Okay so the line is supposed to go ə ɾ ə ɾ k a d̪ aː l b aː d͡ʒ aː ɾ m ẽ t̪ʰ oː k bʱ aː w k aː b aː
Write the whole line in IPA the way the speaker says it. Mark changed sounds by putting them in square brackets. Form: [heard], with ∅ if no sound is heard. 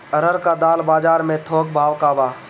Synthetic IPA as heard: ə ɾ ə ɾ k a d̪ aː l b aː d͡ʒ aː ɾ m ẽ t̪ʰ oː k bʱ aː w k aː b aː

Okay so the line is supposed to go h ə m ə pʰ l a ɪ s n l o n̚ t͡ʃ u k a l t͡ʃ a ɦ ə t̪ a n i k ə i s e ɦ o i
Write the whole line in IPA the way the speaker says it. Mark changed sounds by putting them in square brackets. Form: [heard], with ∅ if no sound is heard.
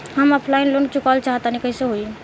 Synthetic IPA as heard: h ə m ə pʰ l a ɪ [∅] n l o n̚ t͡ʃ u k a l t͡ʃ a ɦ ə t̪ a n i k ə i s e ɦ o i

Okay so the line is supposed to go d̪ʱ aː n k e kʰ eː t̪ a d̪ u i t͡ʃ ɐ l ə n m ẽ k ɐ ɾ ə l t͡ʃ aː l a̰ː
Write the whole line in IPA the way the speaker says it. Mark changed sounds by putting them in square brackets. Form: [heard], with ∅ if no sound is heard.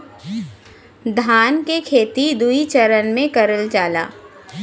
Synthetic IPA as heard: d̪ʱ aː n k e kʰ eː t̪ [i] d̪ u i t͡ʃ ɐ [ɾ] ə n m ẽ k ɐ ɾ ə l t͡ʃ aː l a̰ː

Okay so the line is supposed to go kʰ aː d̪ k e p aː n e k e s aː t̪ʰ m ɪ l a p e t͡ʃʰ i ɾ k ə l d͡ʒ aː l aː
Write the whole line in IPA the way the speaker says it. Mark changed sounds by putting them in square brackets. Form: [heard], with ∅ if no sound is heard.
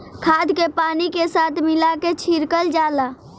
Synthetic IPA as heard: kʰ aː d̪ k e p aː n [i] k e s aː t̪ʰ m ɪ l a [k] e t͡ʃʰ i ɾ k ə l d͡ʒ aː l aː

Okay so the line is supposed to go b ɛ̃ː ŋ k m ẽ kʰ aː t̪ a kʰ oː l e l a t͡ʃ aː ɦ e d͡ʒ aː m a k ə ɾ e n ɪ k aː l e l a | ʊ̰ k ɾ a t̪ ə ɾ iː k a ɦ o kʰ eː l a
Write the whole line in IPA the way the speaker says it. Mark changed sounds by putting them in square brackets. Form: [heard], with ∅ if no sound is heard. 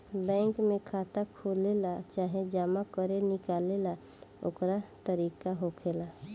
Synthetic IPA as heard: b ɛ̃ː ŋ k m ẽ kʰ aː t̪ a kʰ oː l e l a t͡ʃ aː ɦ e d͡ʒ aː m a k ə ɾ e n ɪ k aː l e l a | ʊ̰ k ɾ a t̪ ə ɾ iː k a ɦ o kʰ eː l a

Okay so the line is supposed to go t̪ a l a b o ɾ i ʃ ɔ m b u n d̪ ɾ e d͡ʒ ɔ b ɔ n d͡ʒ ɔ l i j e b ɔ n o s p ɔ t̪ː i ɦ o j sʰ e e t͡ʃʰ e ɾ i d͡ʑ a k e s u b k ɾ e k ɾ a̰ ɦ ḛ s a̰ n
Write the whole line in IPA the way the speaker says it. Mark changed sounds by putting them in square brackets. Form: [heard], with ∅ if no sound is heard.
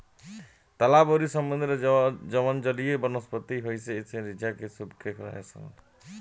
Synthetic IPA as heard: t̪ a l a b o ɾ i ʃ ɔ m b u n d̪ ɾ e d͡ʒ ɔ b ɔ n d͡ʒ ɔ l i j e b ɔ n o s p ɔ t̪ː i ɦ o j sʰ e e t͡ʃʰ e ɾ i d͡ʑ a k e s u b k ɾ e k ɾ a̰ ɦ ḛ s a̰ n

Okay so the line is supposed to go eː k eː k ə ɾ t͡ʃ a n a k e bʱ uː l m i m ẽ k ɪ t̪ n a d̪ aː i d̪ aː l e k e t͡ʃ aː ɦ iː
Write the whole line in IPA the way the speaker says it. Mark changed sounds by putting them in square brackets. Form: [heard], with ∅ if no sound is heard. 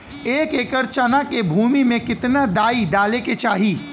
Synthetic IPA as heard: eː k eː k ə ɾ t͡ʃ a n a k e bʱ uː [∅] m i m ẽ k ɪ t̪ n a d̪ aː i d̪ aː l e k e t͡ʃ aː ɦ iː

